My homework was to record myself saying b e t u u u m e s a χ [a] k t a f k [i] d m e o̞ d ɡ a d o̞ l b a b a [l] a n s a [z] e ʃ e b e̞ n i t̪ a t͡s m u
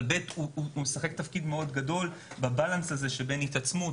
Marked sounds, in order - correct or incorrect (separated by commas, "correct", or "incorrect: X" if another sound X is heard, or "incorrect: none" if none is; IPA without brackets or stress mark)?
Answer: incorrect: e, correct, correct, correct